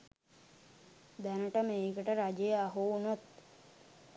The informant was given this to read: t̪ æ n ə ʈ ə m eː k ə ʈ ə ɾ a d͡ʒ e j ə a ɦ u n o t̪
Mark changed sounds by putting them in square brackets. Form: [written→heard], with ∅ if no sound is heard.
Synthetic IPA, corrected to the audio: [t̪→d̪] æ n ə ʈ ə m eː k ə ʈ ə ɾ a d͡ʒ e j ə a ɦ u n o t̪